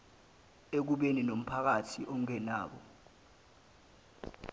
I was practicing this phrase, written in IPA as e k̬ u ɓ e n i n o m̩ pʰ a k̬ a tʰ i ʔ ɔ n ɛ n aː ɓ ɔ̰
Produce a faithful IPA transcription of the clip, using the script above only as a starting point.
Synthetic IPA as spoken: e k̬ u ɓ e n i n o m̩ pʰ a k̬ a tʰ i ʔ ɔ ŋ ɛ n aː ɓ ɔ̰